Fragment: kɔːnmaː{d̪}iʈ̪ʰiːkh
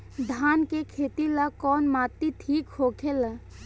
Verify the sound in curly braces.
incorrect: t̪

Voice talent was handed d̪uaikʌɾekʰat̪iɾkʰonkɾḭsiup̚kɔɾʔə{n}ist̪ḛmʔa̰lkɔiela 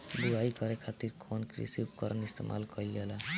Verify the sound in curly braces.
correct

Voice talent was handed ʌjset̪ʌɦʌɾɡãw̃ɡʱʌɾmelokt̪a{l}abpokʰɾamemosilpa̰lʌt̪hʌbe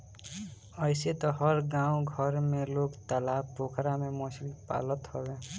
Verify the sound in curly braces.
correct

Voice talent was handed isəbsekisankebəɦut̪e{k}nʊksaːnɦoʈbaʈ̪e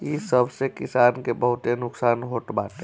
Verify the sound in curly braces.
incorrect: none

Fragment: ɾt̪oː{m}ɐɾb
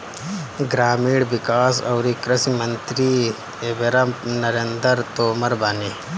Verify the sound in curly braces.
correct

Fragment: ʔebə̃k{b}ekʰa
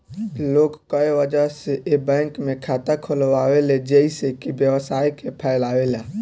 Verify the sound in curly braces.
incorrect: m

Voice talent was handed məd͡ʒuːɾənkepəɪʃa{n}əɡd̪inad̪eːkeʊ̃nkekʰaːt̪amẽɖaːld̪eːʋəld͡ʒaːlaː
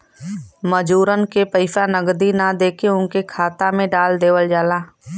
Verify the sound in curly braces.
correct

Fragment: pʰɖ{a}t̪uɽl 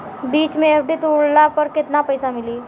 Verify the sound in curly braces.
incorrect: i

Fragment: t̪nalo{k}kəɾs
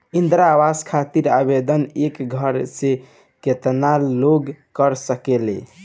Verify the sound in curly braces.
incorrect: ɡ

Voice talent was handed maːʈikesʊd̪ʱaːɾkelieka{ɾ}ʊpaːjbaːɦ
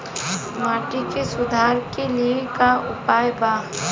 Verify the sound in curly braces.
incorrect: none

